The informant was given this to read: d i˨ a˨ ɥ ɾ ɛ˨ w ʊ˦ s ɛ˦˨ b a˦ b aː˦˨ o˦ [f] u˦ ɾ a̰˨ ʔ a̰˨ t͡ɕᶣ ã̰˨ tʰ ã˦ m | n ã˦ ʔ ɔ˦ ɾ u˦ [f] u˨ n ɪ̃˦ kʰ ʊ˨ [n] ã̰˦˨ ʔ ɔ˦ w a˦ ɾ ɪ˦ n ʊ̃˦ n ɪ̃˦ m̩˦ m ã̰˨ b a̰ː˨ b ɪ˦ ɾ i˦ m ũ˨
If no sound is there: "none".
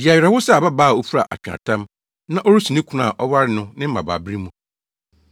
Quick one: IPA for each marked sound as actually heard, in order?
f, s, n

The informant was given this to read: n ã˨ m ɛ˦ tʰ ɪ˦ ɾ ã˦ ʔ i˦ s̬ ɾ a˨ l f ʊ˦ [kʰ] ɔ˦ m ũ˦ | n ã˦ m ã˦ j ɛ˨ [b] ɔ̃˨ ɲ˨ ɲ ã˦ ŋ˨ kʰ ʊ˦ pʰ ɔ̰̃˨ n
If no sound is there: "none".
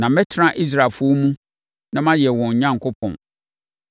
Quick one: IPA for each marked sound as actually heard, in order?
none, w

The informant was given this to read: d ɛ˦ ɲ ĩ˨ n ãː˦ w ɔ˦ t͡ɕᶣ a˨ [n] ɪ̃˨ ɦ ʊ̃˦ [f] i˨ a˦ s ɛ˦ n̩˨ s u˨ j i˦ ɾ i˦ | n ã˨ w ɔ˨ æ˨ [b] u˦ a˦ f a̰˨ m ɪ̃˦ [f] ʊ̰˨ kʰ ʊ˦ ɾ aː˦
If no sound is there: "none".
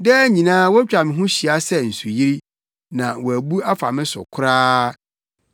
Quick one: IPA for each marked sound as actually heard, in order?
m, ɕ, b, s

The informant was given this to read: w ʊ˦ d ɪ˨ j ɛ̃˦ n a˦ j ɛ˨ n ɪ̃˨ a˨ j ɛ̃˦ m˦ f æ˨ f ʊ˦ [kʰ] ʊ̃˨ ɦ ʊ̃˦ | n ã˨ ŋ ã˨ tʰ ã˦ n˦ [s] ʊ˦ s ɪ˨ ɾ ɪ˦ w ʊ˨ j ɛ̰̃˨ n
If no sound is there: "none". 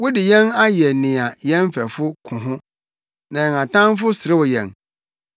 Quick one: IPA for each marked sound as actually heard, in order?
kʰ, f

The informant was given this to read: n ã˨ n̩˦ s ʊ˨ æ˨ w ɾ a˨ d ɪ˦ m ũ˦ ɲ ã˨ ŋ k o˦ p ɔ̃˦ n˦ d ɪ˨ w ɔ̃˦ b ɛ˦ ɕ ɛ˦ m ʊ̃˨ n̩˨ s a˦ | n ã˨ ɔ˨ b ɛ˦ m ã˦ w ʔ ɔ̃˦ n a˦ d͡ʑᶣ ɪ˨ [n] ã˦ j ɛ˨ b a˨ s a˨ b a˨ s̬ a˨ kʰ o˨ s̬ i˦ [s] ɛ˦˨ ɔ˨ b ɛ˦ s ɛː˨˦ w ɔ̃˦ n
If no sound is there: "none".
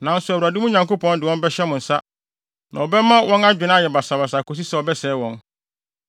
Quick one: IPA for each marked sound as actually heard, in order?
n, s

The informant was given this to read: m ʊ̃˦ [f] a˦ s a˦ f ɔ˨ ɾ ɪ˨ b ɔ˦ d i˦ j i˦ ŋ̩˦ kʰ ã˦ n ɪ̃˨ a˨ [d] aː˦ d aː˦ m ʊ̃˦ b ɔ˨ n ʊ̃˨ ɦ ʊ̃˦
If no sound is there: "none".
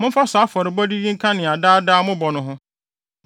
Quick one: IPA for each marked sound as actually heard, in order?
f, d

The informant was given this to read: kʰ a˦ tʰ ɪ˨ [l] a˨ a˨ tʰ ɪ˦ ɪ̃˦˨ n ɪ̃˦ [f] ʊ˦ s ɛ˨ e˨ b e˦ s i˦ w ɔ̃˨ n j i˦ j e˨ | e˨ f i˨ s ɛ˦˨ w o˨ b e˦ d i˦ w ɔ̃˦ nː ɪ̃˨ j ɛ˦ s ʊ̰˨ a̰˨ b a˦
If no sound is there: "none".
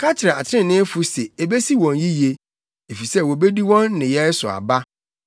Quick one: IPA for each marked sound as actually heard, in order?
ɾ, f

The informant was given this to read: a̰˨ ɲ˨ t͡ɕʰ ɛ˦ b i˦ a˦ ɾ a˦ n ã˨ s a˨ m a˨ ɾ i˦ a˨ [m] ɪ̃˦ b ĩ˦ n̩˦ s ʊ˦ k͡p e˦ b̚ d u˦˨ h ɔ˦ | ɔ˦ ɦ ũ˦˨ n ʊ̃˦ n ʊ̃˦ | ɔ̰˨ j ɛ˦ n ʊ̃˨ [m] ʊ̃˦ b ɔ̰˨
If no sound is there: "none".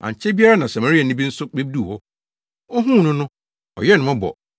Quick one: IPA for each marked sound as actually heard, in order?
n, m

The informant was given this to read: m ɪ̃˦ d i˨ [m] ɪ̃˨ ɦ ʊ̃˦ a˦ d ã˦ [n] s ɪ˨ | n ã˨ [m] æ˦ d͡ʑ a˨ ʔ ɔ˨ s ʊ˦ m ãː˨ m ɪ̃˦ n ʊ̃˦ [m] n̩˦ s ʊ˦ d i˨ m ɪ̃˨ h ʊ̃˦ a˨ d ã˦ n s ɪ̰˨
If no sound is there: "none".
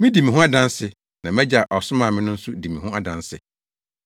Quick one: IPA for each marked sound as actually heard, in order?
m, n, m, none

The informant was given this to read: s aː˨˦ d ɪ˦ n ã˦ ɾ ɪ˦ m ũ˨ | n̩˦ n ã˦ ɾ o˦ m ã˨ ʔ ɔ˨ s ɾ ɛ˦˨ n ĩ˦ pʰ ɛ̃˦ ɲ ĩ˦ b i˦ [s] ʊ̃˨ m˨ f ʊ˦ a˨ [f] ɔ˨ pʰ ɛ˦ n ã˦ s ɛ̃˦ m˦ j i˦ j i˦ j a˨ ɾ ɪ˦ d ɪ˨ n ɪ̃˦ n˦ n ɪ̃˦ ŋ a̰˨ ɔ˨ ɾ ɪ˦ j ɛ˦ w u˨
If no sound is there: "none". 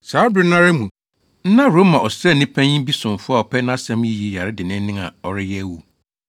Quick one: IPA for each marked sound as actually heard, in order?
s, none

